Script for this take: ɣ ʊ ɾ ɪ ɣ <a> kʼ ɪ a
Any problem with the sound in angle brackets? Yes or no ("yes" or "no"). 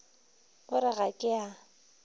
no